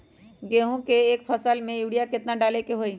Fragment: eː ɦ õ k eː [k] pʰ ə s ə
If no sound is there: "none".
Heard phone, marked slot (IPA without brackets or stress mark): k